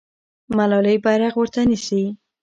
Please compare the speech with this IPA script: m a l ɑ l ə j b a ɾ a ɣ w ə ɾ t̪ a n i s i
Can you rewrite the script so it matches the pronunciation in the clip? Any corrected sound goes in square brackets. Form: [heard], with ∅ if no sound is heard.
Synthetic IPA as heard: m a l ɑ l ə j b a ɾ a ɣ w ə ɾ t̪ a n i s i